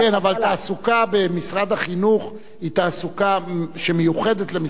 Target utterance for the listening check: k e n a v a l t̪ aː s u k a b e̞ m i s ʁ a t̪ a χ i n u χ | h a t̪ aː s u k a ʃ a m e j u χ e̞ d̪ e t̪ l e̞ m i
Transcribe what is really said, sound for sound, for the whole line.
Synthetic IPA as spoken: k e n a v a l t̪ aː s u k a b e̞ m i s ʁ a d̪ a χ i n u χ | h i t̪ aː s u k a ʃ e m e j u χ e̞ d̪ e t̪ l e̞ m i